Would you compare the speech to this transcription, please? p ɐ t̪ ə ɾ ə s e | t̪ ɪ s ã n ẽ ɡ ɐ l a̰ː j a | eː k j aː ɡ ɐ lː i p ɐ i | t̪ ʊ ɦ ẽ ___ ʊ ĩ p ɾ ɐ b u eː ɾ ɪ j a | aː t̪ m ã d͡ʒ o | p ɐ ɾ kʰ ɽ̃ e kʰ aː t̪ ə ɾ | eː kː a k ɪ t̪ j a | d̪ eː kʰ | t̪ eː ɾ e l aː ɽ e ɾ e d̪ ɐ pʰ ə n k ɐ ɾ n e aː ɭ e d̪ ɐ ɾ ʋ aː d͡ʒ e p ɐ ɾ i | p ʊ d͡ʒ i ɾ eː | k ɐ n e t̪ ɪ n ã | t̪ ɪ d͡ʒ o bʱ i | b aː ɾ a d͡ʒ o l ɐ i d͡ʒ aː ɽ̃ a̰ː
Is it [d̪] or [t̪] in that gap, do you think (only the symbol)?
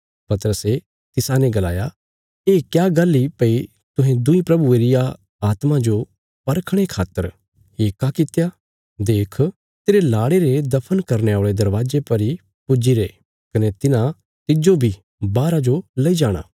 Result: d̪